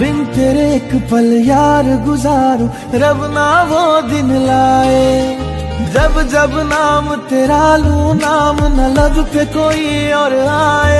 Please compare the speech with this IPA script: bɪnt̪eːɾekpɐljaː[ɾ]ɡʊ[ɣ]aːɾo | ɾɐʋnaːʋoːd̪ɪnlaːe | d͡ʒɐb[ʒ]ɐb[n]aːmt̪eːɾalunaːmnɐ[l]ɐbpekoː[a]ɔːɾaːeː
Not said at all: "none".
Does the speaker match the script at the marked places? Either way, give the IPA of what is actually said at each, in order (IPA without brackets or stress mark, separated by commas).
ɾ, z, d͡ʒ, n, l, i